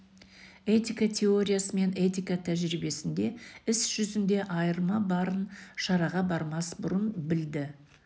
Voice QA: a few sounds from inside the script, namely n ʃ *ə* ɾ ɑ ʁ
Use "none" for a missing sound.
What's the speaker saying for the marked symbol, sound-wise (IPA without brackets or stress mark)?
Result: ɑ